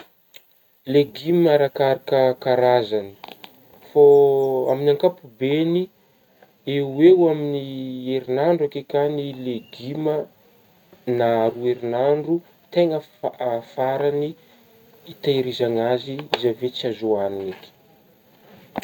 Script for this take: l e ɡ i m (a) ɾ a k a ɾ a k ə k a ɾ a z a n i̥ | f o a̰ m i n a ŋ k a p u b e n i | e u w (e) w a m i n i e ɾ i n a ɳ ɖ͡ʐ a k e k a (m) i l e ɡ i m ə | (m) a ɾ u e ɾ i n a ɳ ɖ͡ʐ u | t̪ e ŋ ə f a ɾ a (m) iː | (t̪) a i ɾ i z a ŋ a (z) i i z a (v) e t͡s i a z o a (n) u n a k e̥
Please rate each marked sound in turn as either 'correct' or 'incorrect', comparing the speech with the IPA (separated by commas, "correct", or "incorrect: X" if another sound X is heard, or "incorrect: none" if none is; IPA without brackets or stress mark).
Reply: correct, correct, incorrect: n, incorrect: n, incorrect: n, correct, correct, correct, correct